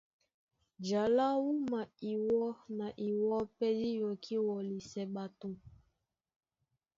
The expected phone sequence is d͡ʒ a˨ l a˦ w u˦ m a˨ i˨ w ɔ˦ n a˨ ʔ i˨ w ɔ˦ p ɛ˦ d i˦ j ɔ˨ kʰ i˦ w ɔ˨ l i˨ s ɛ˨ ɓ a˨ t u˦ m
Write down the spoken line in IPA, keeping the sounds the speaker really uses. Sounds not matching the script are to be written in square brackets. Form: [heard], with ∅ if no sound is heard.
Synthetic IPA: d͡ʒ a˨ l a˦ w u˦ m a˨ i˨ w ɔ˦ n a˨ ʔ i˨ w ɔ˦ p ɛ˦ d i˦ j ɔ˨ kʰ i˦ w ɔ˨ l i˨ s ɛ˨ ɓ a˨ t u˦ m